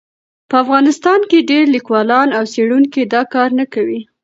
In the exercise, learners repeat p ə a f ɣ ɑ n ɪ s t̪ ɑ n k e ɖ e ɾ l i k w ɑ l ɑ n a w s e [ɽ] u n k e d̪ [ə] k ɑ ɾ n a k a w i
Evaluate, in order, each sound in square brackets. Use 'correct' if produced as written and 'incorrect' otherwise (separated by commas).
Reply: correct, incorrect